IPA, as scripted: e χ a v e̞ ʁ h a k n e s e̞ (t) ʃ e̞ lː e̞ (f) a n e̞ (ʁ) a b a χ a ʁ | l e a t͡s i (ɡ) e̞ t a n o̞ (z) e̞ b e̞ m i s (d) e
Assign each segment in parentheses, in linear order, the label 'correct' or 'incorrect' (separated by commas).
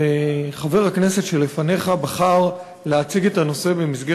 correct, correct, incorrect, correct, incorrect, incorrect